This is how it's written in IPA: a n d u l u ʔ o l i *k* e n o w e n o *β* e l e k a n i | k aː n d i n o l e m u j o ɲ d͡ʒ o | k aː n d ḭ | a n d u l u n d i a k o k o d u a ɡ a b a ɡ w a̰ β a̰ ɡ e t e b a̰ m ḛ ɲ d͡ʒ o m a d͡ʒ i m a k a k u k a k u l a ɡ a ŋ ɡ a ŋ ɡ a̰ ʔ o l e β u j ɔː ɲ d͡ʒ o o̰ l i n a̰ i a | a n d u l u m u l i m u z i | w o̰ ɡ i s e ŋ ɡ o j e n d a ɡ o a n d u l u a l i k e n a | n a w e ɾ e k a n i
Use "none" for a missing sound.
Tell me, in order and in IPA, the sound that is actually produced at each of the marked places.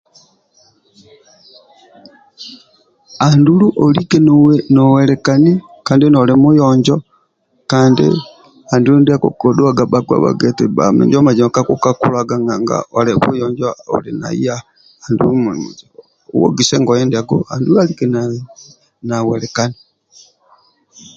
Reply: k, w

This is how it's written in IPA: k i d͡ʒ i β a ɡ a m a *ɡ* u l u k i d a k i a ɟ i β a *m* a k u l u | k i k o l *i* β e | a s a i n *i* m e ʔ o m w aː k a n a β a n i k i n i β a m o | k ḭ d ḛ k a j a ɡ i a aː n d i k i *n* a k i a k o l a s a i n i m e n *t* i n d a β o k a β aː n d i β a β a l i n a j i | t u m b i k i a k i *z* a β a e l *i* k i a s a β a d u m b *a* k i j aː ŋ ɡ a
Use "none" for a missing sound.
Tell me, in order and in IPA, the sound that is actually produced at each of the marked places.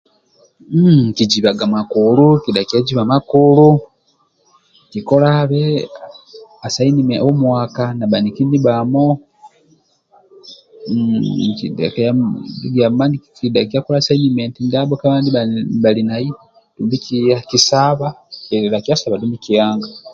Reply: k, m, a, i, d, t, s, a, i

